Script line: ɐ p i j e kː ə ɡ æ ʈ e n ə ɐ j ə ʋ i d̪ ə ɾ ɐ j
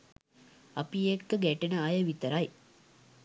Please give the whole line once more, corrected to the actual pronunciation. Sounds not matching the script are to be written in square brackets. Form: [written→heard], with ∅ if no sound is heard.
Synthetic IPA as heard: ɐ p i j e kː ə ɡ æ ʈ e n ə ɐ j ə ʋ i [d̪→t̪] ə ɾ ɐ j